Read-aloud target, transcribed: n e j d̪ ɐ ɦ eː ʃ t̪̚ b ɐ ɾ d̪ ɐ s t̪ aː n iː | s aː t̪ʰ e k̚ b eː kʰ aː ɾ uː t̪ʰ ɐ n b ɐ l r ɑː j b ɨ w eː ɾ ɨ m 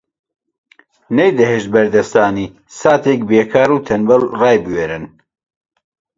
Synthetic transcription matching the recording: n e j d̪ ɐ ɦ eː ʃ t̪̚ b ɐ ɾ d̪ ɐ s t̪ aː n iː | s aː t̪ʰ e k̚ b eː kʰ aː ɾ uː t̪ʰ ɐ n b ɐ l r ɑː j b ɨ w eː ɾ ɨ n

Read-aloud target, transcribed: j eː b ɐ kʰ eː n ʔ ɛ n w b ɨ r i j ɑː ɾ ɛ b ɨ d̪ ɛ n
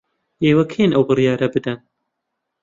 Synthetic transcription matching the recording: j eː w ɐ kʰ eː n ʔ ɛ w b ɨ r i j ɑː ɾ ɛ b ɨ d̪ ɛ n

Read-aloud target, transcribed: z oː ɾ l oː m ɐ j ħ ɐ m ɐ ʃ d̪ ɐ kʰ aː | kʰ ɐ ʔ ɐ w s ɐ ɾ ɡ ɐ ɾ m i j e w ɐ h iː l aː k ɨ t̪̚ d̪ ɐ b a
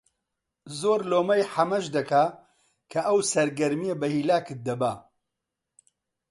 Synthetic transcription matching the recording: z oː ɾ l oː m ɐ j ħ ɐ m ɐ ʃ d̪ ɐ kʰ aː | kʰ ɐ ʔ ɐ w s ɐ ɾ ɡ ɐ ɾ m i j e b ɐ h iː l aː k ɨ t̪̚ d̪ ɐ b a

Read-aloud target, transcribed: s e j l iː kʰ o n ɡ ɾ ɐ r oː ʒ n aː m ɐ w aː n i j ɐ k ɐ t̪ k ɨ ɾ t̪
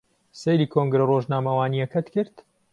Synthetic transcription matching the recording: s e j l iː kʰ o ŋ ɡ ɾ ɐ r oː ʒ n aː m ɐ w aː n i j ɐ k ɐ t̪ k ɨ ɾ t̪

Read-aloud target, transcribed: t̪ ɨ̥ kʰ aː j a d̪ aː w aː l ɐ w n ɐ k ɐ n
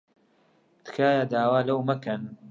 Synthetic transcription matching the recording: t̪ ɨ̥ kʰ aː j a d̪ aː w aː l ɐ w m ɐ k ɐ n

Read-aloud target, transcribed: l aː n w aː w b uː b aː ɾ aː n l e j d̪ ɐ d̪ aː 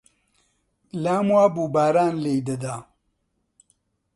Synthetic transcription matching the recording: l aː m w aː b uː b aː ɾ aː n l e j d̪ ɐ d̪ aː

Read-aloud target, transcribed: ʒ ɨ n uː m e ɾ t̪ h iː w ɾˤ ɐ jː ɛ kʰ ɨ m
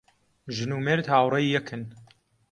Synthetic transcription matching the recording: ʒ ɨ n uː m e ɾ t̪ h aː w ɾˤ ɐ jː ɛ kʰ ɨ n

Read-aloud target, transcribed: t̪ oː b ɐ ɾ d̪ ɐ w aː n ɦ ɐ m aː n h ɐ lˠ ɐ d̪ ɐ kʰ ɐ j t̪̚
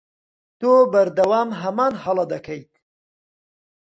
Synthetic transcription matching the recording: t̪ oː b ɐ ɾ d̪ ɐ w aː m ɦ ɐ m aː n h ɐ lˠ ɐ d̪ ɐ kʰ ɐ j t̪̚

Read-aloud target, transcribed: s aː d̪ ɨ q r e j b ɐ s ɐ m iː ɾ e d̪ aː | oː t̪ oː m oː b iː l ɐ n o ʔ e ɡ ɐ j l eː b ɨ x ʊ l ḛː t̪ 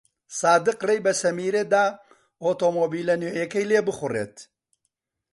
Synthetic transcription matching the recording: s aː d̪ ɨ q r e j b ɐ s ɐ m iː ɾ e d̪ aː | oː t̪ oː m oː b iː l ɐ n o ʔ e k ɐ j l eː b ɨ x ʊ r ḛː t̪

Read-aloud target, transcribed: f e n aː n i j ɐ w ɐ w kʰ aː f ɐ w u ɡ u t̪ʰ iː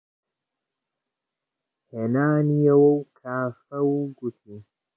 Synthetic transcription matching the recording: h e n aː n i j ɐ w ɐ w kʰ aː f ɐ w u ɡ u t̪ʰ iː

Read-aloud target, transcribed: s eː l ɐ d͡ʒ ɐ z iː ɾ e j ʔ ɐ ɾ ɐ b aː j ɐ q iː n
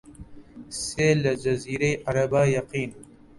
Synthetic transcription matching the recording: s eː l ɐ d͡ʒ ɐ z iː ɾ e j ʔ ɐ ɾ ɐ b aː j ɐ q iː n

